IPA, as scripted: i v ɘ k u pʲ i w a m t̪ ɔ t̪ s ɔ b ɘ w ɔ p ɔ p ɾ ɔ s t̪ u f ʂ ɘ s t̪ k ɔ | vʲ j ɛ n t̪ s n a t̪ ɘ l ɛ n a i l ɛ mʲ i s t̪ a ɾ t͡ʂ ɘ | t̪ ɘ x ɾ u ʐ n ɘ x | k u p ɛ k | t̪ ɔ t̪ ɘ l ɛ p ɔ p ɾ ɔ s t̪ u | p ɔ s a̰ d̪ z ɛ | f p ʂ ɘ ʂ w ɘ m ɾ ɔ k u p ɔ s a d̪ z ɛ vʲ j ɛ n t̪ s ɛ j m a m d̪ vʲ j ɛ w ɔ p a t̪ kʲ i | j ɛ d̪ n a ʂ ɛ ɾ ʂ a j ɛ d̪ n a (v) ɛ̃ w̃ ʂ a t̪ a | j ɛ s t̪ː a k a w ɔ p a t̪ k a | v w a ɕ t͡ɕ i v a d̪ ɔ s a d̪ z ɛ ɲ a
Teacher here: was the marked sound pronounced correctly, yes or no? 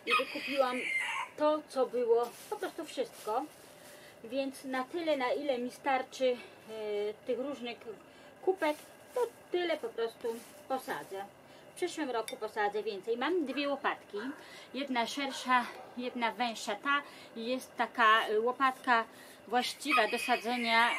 yes